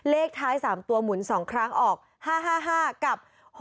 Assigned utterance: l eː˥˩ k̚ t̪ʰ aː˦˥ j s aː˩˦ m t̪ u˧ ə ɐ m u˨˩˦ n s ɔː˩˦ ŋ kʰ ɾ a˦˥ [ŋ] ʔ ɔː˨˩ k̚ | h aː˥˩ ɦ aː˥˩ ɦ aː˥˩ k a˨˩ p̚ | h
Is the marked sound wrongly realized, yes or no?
no